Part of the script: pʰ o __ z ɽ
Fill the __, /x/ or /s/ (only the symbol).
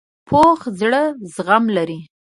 x